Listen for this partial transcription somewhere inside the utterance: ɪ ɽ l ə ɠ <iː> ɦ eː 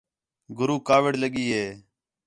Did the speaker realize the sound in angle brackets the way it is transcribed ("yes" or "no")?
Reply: yes